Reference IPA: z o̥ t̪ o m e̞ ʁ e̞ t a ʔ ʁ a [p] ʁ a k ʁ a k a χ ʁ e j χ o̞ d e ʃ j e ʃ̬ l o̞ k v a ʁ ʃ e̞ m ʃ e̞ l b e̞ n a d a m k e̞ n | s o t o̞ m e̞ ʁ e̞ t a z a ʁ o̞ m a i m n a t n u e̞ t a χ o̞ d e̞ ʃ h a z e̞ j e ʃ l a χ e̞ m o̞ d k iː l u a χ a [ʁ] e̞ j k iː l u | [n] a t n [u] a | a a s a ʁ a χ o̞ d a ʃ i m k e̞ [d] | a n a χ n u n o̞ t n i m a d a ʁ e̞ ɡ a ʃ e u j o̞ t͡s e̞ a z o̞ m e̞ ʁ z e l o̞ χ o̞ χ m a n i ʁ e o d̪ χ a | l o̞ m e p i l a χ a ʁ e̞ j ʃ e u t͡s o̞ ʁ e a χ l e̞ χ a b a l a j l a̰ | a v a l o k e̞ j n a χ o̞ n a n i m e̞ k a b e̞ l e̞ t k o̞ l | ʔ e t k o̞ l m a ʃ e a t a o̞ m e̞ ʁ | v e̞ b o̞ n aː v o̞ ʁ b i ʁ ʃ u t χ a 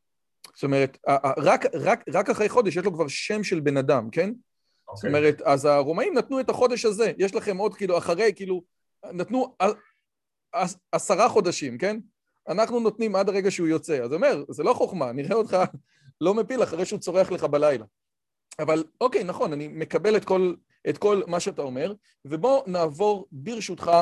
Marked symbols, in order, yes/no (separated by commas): no, yes, yes, yes, no